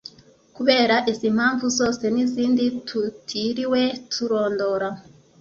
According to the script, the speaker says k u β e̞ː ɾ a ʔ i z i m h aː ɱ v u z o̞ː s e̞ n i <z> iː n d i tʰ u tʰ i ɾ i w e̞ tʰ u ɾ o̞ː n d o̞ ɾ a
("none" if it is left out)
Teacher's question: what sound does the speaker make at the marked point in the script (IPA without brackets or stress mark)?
z